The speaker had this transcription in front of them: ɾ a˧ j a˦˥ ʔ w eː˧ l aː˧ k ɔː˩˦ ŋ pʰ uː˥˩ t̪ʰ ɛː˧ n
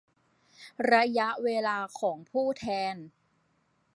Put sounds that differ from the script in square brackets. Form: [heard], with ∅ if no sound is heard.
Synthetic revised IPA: ɾ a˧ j a˦˥ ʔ w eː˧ l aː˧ [kʰ] ɔː˩˦ ŋ pʰ uː˥˩ t̪ʰ ɛː˧ n